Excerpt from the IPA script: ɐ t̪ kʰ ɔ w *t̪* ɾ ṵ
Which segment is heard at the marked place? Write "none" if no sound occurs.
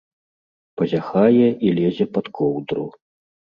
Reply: d̪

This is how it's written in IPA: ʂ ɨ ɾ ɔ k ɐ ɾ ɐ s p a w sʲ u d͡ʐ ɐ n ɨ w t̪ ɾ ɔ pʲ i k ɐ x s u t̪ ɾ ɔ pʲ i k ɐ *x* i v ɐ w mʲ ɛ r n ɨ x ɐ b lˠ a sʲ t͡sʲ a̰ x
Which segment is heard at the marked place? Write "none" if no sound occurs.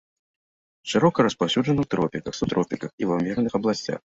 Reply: x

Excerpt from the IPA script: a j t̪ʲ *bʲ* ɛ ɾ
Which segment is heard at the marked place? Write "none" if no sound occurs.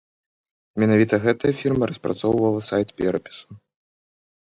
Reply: pʲ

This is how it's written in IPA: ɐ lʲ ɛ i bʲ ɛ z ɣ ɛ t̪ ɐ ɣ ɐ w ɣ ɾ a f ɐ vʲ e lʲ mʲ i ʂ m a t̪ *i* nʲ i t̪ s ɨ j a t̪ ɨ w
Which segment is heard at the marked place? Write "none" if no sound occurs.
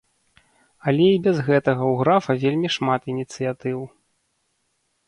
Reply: i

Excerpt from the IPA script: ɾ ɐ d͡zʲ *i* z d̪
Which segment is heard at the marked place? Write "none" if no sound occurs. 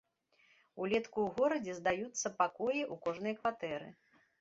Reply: ɛ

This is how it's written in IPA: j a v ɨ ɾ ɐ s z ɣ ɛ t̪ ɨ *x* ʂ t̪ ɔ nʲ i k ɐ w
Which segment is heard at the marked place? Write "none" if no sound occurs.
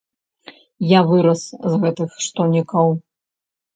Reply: x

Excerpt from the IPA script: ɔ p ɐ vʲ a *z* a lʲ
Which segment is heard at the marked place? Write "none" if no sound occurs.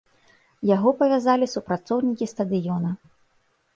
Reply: z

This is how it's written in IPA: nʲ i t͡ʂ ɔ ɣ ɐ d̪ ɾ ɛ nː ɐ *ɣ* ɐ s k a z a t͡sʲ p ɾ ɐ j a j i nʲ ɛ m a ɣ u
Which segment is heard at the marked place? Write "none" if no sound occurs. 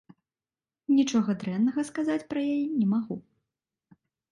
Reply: ɣ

